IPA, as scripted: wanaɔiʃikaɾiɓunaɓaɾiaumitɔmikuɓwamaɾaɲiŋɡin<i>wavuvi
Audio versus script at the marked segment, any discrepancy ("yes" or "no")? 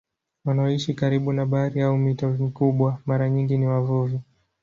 no